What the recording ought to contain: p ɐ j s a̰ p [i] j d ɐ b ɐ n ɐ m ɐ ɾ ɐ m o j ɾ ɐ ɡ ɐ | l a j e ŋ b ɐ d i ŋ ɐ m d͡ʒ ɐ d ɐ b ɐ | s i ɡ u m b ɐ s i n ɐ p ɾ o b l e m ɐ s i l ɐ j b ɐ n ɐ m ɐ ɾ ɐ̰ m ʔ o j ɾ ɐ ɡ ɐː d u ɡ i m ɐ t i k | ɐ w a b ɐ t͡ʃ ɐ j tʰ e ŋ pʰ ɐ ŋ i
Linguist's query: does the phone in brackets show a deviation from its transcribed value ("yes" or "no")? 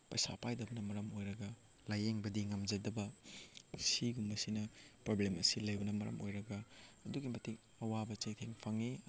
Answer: yes